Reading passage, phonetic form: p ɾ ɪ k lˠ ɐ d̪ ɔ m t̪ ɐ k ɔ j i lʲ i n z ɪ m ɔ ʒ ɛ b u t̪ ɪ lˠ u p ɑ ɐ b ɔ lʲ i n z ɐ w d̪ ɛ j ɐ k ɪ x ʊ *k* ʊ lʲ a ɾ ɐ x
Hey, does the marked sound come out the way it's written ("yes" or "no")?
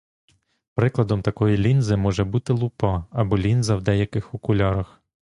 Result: yes